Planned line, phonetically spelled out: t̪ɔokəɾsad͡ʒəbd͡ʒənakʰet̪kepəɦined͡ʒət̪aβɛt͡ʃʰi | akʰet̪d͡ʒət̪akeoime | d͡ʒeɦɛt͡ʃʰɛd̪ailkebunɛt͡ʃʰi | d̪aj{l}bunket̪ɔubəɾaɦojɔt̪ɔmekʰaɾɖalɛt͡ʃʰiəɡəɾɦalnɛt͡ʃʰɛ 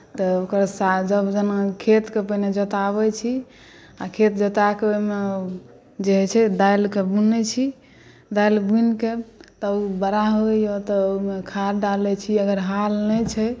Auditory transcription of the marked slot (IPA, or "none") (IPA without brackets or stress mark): l